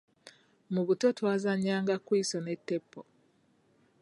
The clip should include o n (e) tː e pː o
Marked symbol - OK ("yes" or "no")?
yes